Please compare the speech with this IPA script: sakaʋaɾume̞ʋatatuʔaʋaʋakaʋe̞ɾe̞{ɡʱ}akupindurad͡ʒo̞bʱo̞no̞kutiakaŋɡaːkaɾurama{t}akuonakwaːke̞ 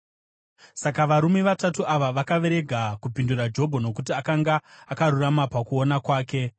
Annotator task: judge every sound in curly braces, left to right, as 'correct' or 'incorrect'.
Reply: correct, incorrect

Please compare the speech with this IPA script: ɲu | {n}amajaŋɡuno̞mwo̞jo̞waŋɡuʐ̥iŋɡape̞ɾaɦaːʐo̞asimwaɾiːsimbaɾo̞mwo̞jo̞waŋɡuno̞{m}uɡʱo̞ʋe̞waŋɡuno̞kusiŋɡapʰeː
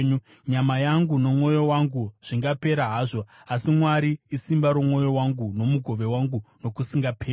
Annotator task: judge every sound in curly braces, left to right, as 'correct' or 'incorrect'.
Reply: incorrect, correct

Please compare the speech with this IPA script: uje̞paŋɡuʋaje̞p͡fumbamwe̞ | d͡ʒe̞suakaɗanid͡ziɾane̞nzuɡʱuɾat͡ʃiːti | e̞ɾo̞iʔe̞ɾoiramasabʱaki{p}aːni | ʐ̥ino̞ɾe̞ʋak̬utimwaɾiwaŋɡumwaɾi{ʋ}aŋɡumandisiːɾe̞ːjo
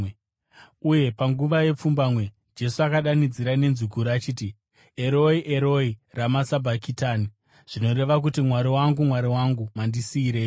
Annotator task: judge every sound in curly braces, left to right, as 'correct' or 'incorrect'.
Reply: incorrect, incorrect

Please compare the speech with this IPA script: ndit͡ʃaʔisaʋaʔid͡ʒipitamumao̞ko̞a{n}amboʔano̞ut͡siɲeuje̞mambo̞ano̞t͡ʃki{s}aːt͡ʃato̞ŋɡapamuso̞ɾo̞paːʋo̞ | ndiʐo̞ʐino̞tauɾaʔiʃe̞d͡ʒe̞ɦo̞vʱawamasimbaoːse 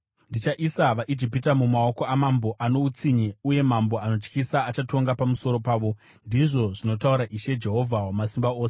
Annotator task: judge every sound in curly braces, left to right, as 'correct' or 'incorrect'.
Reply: incorrect, correct

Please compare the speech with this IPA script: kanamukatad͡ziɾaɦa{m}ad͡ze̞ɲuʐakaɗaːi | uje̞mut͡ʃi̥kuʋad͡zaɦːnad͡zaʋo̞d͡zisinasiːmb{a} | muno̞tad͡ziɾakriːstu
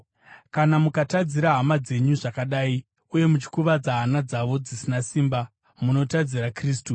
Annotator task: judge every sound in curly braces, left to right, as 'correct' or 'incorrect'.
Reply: correct, correct

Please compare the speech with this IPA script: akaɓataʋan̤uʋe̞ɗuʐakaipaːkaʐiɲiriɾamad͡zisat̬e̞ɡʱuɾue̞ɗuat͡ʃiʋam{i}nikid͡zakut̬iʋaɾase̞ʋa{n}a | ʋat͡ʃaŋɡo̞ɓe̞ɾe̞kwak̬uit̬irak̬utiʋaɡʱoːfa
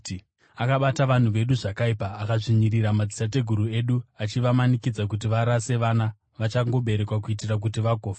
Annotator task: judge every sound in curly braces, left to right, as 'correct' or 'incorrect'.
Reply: incorrect, correct

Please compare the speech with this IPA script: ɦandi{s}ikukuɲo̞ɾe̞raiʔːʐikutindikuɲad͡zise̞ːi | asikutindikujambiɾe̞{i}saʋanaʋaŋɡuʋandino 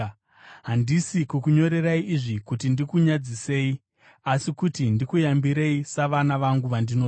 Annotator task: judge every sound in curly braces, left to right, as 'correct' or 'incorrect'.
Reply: correct, correct

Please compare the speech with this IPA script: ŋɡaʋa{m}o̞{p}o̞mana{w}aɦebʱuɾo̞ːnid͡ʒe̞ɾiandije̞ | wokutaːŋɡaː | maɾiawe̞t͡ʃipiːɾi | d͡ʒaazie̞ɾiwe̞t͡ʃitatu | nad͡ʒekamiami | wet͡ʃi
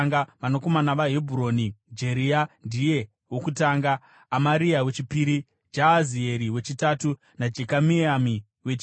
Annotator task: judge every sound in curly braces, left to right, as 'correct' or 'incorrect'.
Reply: incorrect, incorrect, incorrect

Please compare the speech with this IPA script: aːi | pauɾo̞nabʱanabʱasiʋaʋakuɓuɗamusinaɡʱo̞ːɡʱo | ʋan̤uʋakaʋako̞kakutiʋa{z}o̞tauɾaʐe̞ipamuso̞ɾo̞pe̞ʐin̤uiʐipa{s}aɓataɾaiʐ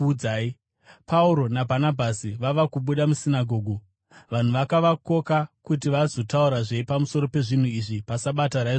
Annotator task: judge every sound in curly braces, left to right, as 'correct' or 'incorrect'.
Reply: correct, correct

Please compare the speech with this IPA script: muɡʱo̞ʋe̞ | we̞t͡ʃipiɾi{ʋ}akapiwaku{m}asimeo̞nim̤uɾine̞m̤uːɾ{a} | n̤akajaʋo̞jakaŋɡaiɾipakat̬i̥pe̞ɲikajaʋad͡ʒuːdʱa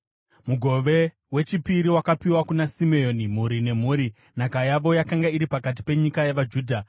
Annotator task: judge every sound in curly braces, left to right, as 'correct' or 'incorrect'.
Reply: incorrect, incorrect, incorrect

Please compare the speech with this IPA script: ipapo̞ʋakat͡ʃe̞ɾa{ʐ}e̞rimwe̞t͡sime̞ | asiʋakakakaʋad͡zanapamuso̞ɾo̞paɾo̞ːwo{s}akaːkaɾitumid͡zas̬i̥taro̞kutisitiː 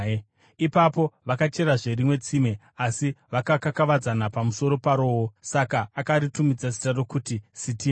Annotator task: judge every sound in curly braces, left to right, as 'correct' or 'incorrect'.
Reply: correct, correct

